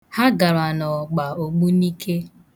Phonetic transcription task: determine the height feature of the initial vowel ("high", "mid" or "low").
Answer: low